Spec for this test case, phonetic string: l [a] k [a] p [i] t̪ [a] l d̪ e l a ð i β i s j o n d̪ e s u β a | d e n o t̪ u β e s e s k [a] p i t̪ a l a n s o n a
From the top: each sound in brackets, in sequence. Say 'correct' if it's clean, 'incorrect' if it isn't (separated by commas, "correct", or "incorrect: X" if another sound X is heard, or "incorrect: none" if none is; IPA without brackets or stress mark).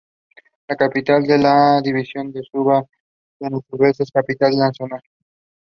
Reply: correct, correct, correct, correct, correct